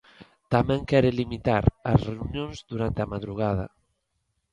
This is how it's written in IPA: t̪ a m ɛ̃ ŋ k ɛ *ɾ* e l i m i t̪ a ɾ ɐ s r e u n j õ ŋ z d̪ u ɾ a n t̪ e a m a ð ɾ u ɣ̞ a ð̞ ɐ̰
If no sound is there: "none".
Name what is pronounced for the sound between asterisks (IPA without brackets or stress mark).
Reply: ɾ